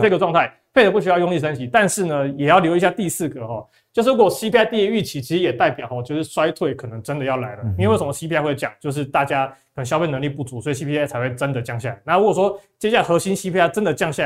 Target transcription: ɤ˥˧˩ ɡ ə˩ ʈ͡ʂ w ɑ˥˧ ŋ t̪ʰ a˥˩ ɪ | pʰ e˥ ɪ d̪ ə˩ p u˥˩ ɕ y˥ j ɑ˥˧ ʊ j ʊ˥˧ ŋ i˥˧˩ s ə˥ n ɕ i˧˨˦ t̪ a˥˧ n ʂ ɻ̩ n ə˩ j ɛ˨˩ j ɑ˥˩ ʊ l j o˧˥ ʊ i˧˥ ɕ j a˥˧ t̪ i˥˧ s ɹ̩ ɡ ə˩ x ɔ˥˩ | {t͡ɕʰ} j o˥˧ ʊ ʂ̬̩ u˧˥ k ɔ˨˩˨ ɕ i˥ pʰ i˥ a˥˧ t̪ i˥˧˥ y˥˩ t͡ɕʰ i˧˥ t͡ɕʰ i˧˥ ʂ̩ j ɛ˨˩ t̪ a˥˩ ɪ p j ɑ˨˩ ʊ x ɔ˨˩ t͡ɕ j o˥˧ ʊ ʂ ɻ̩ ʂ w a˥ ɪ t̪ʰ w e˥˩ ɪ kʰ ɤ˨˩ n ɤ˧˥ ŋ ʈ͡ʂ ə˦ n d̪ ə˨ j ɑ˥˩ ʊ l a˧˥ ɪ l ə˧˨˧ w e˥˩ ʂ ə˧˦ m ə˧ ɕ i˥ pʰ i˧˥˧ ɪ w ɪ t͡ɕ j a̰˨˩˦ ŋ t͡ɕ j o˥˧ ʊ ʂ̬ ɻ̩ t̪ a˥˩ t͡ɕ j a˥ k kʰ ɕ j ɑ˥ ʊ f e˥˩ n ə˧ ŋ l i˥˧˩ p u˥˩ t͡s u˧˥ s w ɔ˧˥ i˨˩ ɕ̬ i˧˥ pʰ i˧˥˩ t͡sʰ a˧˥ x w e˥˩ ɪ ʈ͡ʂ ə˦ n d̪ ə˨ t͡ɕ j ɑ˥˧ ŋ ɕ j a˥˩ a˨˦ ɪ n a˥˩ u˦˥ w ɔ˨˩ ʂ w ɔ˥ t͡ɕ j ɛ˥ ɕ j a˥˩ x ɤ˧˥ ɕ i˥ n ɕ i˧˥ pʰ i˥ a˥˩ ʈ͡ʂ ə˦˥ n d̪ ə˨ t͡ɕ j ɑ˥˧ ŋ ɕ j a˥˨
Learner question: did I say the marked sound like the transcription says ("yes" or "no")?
no